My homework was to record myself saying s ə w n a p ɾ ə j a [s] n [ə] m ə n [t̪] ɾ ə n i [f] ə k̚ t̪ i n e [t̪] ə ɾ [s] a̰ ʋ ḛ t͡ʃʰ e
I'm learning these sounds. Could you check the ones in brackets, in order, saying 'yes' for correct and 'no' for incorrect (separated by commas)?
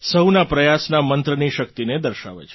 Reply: yes, no, yes, no, no, no